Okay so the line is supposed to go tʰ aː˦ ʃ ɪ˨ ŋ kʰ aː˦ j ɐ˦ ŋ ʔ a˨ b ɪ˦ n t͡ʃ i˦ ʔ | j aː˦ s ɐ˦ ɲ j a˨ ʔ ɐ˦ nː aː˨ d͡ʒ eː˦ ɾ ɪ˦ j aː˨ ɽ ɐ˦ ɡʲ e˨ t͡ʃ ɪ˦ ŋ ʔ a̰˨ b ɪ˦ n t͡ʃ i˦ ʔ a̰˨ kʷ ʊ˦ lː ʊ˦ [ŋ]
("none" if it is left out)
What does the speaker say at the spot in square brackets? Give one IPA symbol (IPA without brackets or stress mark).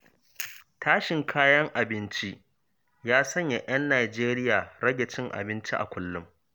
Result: m